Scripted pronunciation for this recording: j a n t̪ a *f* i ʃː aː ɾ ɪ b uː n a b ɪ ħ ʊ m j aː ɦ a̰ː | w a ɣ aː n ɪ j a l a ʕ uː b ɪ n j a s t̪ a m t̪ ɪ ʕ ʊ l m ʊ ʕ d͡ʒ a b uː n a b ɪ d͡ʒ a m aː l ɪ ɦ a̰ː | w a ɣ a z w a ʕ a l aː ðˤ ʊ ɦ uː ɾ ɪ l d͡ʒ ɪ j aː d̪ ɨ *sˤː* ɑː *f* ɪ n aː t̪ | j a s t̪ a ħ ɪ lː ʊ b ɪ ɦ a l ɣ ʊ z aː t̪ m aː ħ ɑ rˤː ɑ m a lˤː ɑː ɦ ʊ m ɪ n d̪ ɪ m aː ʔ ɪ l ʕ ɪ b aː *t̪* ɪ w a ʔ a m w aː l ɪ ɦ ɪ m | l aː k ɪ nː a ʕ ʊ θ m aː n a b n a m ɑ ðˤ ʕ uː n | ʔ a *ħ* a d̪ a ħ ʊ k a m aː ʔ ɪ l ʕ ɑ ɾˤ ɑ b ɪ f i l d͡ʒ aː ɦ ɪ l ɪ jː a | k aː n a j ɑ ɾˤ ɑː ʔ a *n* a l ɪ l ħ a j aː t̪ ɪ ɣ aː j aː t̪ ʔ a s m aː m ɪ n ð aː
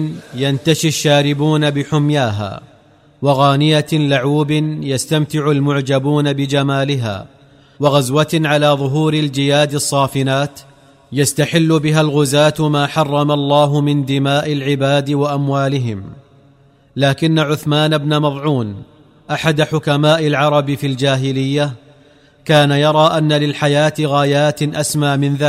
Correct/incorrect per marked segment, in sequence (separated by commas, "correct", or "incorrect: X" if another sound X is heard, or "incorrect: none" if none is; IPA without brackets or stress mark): incorrect: ʃ, correct, correct, incorrect: d̪, correct, incorrect: nː